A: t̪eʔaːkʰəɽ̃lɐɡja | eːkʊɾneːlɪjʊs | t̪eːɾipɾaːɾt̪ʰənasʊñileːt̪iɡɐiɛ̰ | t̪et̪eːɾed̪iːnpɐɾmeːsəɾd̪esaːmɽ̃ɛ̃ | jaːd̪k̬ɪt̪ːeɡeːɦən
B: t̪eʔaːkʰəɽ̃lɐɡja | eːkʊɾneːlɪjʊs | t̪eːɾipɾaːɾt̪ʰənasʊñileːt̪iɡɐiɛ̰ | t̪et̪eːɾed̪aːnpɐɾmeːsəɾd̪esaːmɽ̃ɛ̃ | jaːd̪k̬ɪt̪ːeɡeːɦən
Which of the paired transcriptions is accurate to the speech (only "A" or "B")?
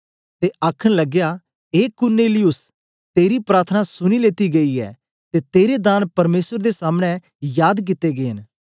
B